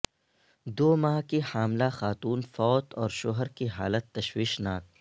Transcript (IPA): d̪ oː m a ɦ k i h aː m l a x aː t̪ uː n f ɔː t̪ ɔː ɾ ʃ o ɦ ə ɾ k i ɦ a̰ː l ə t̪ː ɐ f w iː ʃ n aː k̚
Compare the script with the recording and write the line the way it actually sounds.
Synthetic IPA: d̪ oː m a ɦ k i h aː m l a x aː t̪ uː n f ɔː t̪ ɔː ɾ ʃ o ɦ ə ɾ k i ɦ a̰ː l ə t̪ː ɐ ʃ w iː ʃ n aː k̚